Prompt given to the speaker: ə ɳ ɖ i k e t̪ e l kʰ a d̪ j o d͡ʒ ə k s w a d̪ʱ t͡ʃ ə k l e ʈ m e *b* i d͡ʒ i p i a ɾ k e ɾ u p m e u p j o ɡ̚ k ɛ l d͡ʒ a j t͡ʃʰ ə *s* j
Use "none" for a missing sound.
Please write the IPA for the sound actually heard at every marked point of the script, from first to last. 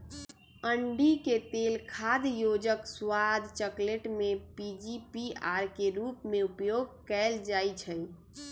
p, none

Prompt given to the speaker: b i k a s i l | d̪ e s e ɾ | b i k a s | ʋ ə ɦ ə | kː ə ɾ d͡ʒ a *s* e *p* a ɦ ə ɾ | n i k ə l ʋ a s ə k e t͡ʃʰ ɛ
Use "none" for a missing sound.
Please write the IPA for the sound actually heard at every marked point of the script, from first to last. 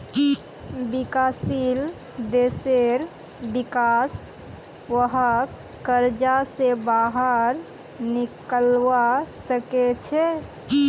s, b

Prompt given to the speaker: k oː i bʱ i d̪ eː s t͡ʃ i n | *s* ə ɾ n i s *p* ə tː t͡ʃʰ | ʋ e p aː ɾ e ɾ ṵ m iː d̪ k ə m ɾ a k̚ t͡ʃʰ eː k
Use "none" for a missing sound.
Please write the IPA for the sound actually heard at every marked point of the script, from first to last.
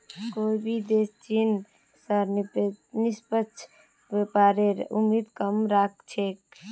s, p

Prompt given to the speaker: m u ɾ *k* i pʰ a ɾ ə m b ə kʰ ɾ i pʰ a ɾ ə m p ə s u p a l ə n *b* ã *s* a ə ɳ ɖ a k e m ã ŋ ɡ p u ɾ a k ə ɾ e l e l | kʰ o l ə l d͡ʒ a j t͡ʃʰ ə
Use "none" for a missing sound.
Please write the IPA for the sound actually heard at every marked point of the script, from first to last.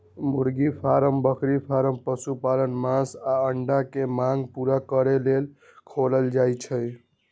ɡ, m, s

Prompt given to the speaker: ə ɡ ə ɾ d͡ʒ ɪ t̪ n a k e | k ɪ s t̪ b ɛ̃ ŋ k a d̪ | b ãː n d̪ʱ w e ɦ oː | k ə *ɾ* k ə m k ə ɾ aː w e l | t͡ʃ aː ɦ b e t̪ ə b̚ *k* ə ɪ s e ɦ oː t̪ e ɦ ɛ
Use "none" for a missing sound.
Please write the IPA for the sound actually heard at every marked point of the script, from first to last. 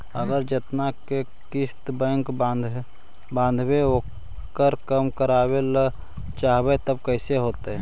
ɾ, k

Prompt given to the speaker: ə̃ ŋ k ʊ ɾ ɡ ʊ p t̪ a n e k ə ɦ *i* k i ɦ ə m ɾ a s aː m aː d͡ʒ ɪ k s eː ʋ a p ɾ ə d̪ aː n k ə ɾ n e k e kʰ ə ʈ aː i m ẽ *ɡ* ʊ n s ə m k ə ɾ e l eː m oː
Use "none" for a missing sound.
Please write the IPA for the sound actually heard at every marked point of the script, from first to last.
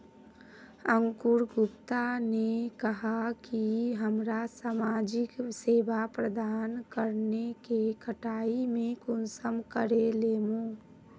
a, k

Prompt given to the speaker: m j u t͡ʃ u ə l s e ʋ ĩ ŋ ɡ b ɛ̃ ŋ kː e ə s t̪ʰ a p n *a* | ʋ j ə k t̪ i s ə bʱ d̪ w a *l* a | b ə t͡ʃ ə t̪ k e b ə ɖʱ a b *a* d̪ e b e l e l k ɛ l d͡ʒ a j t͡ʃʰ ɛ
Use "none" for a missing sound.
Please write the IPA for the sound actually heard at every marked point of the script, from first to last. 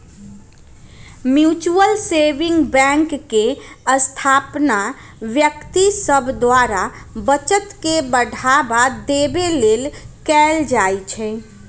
a, ɾ, a

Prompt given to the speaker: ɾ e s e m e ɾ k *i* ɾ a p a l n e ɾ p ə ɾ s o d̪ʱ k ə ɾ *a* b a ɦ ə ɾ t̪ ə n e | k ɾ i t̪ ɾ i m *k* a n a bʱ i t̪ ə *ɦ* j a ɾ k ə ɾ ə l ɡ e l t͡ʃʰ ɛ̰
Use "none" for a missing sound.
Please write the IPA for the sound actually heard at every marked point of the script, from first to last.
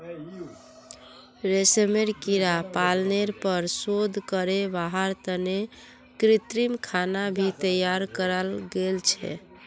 i, e, kʰ, none

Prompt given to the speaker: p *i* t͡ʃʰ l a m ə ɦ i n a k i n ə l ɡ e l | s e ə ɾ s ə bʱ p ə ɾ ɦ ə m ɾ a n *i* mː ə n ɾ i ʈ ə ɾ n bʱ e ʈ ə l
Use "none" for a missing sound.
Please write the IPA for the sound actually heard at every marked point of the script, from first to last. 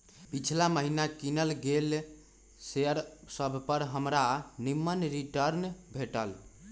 i, i

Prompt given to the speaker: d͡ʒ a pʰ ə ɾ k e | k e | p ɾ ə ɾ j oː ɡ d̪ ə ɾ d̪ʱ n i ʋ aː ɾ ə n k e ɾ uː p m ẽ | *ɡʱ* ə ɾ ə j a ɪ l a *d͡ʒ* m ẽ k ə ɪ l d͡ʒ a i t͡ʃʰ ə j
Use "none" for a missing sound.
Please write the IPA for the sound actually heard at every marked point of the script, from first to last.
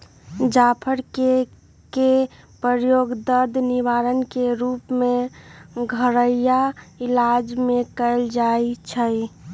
ɡʱ, d͡ʒ

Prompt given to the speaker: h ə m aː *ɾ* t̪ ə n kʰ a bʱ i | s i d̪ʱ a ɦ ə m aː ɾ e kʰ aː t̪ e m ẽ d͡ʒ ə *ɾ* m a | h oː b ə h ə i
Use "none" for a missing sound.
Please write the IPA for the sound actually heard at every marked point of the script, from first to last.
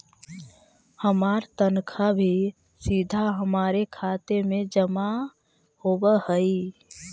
ɾ, none

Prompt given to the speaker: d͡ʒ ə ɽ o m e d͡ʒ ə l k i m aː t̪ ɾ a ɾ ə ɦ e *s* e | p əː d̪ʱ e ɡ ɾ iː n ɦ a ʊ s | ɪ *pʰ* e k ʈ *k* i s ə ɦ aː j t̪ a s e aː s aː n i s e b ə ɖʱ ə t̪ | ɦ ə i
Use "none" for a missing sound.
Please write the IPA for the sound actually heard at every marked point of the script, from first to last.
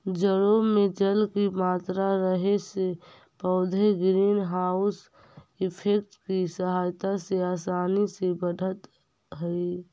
s, pʰ, k

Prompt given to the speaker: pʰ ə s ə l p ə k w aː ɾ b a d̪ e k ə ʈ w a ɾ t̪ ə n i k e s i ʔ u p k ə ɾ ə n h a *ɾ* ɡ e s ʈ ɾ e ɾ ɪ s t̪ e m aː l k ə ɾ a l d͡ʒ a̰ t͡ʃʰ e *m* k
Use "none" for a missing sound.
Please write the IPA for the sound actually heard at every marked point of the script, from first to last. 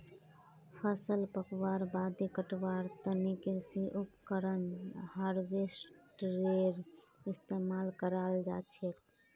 ɾ, none

